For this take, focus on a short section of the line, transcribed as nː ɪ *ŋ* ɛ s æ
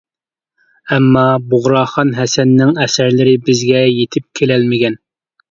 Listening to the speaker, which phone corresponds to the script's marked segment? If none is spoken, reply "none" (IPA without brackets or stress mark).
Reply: ŋ